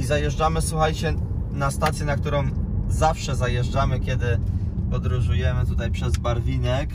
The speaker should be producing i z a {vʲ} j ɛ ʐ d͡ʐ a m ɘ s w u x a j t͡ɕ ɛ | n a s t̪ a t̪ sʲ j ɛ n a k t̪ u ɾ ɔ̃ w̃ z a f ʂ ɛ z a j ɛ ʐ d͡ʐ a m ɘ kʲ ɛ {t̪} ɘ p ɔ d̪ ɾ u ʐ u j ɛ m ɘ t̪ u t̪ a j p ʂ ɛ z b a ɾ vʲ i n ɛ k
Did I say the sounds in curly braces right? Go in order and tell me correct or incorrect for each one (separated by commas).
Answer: incorrect, incorrect